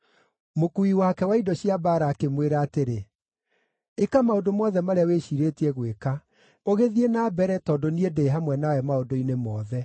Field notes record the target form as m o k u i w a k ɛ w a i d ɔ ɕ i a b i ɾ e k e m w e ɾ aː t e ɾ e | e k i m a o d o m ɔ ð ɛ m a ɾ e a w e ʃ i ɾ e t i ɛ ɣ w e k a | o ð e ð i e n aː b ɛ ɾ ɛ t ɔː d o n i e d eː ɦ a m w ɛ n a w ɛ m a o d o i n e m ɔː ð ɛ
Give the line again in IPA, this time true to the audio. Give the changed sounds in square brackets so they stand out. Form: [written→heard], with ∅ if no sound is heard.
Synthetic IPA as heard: m o k u i w a k ɛ w a i d ɔ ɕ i a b [i→a] ɾ [e→a] k e m w e ɾ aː t e ɾ e | e k [i→a] m a o d o m ɔ ð ɛ m a ɾ e a w e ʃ i ɾ e t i ɛ ɣ w e k a | o [ð→ɣ] e ð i e n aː b ɛ ɾ ɛ t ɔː d o n i e d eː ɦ a m w ɛ n a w ɛ m a o d o i n e m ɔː ð ɛ